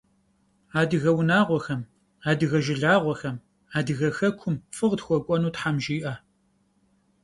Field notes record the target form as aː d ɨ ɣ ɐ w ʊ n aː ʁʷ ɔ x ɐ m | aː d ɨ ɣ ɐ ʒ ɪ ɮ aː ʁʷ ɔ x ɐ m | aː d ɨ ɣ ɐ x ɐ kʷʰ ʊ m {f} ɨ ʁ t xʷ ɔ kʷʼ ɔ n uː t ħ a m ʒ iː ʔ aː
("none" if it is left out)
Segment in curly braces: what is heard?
f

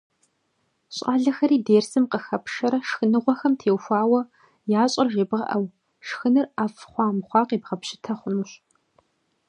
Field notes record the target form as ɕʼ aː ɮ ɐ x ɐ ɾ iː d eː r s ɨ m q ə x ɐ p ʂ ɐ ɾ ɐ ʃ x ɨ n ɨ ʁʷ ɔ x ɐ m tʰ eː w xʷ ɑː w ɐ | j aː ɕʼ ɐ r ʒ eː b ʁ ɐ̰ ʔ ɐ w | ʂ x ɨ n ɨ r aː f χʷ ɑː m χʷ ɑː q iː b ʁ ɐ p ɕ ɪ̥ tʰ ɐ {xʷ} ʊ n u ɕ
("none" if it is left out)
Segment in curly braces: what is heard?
χʷ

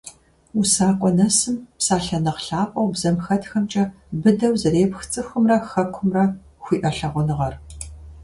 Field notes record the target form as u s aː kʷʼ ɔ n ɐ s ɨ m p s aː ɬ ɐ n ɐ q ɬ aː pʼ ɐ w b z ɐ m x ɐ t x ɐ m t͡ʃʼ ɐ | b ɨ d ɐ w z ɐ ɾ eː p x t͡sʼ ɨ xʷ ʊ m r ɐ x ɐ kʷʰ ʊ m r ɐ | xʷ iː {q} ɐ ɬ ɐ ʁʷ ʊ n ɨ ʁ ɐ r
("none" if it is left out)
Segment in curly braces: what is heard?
ʔ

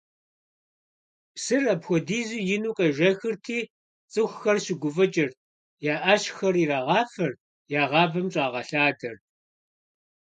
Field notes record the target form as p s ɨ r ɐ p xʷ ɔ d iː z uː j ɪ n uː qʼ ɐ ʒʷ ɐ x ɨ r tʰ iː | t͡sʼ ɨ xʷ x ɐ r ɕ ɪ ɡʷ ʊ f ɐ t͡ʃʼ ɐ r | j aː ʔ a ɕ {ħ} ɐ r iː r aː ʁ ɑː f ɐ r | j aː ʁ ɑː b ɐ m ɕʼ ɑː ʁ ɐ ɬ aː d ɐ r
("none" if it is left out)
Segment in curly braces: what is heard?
x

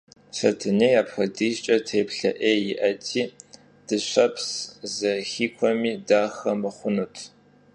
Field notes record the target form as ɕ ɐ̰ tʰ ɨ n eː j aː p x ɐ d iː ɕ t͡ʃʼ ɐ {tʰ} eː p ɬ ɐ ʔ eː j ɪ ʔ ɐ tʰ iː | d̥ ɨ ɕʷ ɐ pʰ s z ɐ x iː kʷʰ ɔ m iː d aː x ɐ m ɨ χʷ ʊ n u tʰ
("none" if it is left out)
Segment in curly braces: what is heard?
tʰ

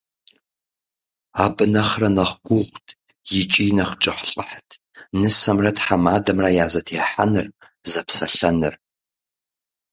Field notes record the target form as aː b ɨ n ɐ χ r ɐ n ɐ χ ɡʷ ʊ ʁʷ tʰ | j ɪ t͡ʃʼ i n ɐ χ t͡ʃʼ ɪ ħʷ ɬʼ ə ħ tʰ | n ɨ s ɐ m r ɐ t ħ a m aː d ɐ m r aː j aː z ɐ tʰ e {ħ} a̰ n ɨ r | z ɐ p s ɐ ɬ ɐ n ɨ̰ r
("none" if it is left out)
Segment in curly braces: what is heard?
ħ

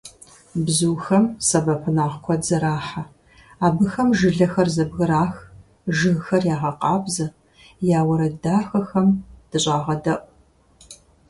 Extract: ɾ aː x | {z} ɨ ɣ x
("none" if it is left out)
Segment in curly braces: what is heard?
ʒ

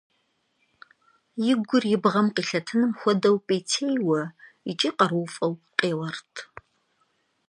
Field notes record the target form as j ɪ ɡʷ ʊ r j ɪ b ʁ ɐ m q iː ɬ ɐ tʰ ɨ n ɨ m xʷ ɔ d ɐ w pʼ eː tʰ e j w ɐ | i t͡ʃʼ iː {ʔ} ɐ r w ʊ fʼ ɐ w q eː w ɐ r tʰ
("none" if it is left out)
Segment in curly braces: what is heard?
q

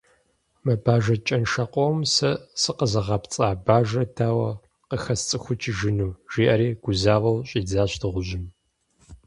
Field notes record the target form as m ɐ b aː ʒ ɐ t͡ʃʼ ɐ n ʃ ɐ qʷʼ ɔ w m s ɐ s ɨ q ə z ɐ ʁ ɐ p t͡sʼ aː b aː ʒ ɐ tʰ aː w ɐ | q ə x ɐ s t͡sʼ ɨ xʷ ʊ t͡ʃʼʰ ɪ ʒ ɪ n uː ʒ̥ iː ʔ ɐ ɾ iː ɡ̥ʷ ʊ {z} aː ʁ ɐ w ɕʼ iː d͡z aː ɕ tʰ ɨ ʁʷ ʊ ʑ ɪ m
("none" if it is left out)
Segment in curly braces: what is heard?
z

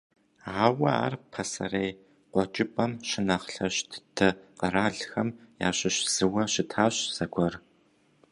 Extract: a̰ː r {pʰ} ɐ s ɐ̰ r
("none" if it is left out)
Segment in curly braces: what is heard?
pʰ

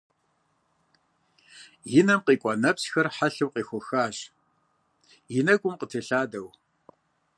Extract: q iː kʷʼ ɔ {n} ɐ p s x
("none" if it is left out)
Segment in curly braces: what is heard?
n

